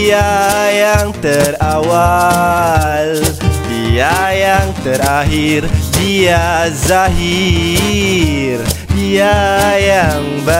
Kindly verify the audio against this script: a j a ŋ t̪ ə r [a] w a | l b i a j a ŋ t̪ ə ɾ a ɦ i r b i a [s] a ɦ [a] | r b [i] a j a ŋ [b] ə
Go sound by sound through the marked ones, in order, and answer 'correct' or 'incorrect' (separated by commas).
correct, incorrect, incorrect, correct, correct